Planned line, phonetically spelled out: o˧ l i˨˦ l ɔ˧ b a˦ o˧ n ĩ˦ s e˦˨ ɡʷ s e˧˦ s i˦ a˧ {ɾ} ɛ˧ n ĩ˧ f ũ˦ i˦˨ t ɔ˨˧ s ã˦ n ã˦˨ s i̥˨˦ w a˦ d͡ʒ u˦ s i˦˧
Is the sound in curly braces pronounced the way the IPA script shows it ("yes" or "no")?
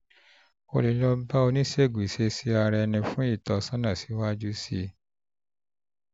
yes